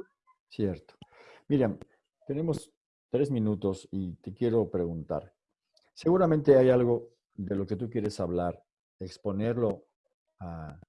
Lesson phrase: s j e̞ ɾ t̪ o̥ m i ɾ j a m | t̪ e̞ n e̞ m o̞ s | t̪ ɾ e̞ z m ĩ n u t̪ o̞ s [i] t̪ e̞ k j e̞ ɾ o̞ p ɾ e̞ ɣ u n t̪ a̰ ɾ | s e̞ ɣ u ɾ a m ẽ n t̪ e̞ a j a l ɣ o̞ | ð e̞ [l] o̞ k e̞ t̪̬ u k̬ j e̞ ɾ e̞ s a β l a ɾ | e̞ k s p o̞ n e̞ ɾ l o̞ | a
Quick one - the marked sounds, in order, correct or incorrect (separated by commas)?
correct, correct